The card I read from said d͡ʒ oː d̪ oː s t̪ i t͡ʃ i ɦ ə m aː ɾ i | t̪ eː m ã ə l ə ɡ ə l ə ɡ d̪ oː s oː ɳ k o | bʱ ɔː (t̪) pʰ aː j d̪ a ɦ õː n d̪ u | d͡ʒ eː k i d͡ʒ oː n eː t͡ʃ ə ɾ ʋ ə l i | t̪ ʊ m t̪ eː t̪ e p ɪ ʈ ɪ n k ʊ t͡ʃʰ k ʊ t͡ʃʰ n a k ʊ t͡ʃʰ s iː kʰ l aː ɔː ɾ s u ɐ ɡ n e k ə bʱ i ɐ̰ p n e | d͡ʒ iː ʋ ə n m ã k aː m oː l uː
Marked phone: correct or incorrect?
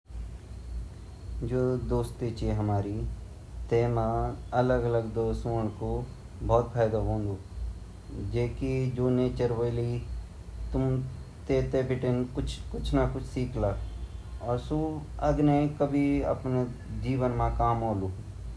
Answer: correct